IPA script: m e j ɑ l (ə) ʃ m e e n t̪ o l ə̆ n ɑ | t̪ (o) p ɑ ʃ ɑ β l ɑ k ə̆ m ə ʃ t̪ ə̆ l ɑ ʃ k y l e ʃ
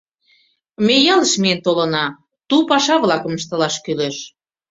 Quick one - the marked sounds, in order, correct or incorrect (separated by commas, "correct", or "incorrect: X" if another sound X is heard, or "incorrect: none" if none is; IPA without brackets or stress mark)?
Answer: correct, incorrect: u